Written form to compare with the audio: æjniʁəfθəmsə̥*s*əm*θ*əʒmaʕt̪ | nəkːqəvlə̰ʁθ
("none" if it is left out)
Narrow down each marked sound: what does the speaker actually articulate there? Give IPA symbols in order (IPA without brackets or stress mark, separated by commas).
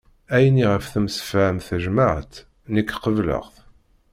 f, θ